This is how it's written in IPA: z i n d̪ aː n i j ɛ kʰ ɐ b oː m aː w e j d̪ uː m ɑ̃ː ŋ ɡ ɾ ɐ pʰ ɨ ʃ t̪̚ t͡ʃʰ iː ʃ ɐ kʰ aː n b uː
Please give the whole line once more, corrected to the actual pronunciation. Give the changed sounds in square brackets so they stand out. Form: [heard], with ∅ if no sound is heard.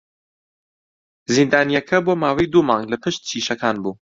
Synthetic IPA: z i n d̪ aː n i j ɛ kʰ ɐ b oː m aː w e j d̪ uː m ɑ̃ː ŋ ɡ [l] ɐ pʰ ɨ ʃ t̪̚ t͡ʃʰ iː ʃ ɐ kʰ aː n b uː